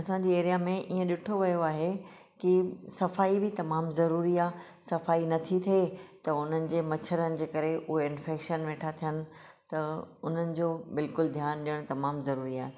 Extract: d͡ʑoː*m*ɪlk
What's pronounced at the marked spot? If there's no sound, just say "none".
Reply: b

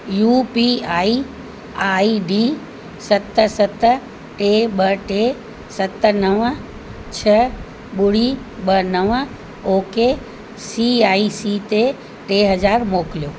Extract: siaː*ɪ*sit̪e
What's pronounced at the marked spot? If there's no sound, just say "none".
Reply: i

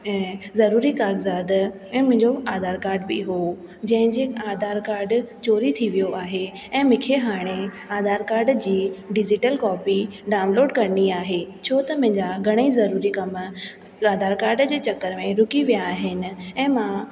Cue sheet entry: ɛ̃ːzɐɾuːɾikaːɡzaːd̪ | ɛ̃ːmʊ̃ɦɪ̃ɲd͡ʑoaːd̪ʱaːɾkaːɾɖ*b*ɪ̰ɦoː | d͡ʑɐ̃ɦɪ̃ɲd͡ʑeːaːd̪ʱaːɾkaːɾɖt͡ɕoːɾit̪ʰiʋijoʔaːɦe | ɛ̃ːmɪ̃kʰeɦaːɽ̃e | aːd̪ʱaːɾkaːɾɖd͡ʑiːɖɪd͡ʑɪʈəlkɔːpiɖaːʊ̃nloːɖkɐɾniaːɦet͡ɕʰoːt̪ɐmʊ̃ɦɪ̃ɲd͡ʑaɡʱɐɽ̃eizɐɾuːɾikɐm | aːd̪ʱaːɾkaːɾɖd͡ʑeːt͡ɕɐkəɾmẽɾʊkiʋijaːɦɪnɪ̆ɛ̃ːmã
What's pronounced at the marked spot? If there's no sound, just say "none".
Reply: b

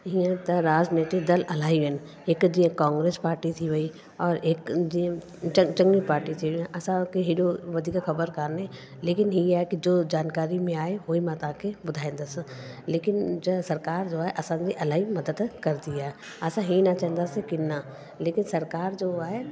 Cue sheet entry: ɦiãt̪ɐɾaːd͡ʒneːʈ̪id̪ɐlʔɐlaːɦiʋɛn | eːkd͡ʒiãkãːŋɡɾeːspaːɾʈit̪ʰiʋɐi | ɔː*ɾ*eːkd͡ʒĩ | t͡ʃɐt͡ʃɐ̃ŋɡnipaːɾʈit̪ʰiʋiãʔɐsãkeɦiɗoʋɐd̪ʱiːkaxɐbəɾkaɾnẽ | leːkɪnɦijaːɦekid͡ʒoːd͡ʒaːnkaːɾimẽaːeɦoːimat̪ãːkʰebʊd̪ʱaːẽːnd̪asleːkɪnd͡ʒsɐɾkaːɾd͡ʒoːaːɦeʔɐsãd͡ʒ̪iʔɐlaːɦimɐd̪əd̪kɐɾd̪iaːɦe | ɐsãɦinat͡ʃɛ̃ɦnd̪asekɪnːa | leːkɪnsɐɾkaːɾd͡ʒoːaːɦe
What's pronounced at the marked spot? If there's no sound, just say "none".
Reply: ɾ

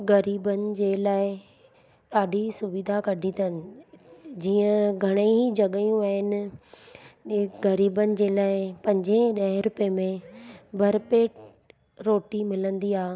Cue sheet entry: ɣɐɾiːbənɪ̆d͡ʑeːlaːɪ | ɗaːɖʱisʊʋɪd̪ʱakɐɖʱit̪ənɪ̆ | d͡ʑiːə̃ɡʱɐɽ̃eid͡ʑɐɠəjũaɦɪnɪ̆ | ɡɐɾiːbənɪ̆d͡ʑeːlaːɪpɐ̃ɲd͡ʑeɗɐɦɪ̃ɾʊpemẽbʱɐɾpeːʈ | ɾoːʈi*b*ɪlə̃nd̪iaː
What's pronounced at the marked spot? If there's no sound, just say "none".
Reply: m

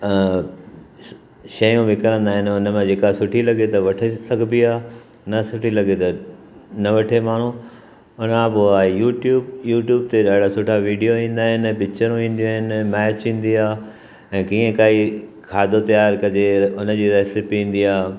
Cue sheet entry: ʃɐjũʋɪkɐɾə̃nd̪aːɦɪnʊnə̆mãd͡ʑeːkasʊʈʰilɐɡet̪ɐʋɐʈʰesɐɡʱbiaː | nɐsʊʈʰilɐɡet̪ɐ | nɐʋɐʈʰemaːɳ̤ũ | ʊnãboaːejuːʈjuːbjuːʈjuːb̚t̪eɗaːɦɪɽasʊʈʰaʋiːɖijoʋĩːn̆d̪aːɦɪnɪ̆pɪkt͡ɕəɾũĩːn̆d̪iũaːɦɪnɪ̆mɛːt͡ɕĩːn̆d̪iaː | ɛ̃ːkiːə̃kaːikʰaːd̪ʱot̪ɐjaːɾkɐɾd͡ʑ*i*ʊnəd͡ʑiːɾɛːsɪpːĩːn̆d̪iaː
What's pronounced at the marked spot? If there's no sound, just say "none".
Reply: e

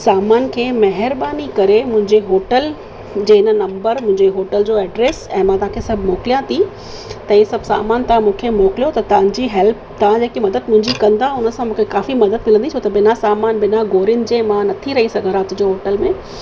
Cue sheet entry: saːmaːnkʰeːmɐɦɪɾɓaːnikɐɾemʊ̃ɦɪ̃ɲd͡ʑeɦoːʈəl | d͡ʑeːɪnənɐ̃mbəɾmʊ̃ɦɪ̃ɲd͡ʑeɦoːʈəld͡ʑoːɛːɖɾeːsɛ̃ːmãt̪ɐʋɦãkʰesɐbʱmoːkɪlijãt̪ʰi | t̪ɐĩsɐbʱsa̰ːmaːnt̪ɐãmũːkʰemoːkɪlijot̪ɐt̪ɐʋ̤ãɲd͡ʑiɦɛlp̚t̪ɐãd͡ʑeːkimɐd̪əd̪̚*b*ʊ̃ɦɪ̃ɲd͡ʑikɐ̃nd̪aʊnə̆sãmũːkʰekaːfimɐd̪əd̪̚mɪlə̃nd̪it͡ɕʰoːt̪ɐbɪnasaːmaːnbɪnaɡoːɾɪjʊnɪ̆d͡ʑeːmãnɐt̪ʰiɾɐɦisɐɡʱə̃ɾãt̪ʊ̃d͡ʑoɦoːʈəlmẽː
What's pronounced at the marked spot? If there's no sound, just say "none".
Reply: m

